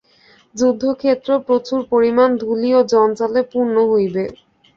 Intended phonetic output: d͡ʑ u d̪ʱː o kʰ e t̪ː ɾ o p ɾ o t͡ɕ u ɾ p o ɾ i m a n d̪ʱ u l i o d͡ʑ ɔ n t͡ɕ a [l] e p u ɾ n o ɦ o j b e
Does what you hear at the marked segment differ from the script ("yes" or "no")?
no